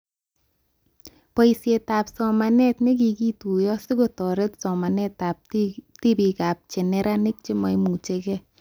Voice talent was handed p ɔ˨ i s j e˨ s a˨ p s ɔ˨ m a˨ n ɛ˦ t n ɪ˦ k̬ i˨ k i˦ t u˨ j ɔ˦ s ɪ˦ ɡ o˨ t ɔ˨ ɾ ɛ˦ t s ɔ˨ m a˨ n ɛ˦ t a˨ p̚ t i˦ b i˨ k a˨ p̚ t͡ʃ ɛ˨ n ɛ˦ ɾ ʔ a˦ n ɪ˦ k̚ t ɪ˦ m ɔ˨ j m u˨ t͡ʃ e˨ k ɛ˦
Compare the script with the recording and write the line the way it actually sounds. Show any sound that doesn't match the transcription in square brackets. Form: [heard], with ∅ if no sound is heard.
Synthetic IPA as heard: p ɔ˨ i s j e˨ [t] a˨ p s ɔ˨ m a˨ n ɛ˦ t n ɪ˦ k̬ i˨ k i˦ t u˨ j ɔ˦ s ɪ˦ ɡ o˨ t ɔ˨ ɾ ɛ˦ t s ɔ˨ m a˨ n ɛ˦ t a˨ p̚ t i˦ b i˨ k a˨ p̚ t͡ʃ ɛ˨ n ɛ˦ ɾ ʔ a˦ n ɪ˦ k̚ [t͡ʃ] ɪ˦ m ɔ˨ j m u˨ t͡ʃ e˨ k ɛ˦